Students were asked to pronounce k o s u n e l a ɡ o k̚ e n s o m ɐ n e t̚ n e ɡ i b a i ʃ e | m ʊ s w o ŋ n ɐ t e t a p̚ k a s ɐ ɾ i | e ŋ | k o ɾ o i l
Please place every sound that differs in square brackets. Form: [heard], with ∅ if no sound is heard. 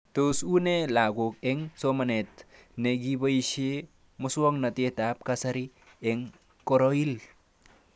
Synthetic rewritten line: [t] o s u n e l a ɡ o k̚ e [ŋ] s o m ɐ n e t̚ n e ɡ i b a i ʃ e | m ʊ s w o ŋ n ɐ t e t a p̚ k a s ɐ ɾ i | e ŋ | k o ɾ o i l